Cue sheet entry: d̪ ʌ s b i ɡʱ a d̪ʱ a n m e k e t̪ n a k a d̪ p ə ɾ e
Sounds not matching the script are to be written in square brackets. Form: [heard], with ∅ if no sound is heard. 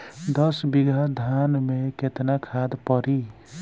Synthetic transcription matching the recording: d̪ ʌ s b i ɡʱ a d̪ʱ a n m e k e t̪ n a [kʰ] a d̪ p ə ɾ [i]

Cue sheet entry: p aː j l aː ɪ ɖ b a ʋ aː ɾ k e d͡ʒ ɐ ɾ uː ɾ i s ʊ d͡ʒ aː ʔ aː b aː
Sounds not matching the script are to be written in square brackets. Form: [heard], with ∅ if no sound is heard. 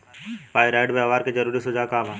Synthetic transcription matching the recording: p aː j [ɾ] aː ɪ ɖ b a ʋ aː ɾ k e d͡ʒ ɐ ɾ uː ɾ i s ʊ d͡ʒ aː [k] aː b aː

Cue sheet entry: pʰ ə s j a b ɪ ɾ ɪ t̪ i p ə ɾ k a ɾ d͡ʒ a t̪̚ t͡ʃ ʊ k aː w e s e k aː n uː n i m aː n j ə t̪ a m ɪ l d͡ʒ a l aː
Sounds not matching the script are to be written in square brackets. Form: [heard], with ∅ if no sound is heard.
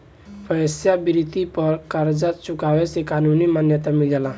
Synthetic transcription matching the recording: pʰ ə s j a b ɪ ɾ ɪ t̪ i p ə ɾ k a ɾ d͡ʒ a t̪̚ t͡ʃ ʊ k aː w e s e k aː n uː n i m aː n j ə t̪ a m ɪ l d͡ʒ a l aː

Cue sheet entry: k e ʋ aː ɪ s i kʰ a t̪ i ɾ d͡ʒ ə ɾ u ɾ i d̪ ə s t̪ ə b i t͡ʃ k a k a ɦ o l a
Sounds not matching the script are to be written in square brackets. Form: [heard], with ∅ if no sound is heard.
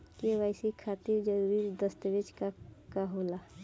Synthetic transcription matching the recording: k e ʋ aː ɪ s i kʰ a t̪ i ɾ d͡ʒ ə ɾ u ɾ i d̪ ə s t̪ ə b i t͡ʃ k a k a ɦ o l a

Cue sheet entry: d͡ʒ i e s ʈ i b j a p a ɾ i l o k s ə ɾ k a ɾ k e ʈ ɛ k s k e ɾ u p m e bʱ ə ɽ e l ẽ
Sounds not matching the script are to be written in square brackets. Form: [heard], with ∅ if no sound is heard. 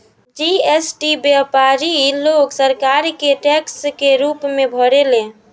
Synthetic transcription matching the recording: d͡ʒ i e s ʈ i b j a p a ɾ i l o k s ə ɾ k a ɾ k e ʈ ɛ k s k e ɾ u p m e bʱ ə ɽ e l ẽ

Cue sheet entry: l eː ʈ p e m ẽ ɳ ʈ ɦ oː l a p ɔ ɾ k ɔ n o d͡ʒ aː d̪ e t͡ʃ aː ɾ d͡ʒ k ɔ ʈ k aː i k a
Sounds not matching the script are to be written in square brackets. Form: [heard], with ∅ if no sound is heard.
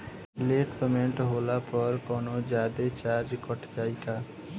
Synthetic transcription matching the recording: l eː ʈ p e m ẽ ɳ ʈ ɦ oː l a p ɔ ɾ k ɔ n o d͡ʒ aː d̪ e t͡ʃ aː ɾ d͡ʒ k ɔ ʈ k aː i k a

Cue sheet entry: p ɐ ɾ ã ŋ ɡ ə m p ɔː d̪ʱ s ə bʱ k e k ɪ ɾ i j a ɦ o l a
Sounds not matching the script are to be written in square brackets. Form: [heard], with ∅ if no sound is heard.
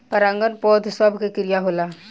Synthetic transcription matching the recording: p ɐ ɾ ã ŋ ɡ ə [n] p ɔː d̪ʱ s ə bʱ k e k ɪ ɾ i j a ɦ o l a

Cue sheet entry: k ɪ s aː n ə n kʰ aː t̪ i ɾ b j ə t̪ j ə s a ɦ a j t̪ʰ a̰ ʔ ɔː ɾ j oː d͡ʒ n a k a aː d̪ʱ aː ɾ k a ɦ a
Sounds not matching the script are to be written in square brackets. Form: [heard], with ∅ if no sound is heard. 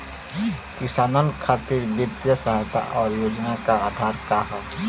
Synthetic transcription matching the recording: k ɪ s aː n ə n kʰ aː t̪ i ɾ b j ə t̪ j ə s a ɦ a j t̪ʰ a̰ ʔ ɔː ɾ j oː d͡ʒ n a k a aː d̪ʱ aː ɾ k a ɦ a

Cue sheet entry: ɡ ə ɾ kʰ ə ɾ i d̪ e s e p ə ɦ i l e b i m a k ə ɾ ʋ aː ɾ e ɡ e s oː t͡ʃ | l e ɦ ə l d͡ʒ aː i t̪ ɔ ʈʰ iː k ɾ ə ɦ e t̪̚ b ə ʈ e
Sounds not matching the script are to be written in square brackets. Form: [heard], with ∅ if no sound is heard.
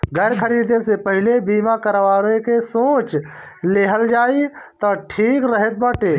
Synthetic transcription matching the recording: ɡ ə ɾ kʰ ə ɾ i d̪ e s e p ə ɦ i l e b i m a k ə ɾ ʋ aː ɾ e [k] e s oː t͡ʃ | l e ɦ ə l d͡ʒ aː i t̪ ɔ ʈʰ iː k ɾ ə ɦ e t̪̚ b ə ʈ e

